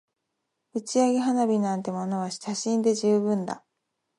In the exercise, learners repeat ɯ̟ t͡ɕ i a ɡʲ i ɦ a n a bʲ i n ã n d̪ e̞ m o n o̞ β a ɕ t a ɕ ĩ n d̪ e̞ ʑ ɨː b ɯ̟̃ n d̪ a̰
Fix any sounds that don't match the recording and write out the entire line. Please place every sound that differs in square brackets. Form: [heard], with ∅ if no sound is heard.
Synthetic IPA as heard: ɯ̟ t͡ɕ i a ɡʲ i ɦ a n a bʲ i n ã n [t̪] e̞ m o n o̞ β a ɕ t a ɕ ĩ n d̪ e̞ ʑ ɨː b ɯ̟̃ n d̪ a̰